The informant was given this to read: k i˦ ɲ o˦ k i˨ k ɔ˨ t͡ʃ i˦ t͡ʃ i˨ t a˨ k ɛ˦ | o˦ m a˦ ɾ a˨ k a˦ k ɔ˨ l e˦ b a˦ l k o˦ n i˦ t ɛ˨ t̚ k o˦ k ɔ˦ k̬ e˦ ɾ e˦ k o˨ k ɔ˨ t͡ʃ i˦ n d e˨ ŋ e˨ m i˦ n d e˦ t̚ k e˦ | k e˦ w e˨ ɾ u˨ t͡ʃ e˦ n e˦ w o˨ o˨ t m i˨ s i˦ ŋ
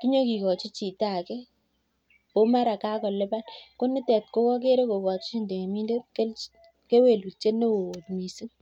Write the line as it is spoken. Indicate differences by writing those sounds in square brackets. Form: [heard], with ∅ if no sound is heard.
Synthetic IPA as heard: k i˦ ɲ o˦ k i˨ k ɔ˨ t͡ʃ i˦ t͡ʃ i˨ t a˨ k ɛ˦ | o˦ m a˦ ɾ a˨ k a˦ k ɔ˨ l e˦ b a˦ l k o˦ n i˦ t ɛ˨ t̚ k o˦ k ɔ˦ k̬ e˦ ɾ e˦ k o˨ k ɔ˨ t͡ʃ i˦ n d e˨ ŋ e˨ m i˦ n d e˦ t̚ k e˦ | k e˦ w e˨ [l] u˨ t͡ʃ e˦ n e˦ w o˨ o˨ t m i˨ s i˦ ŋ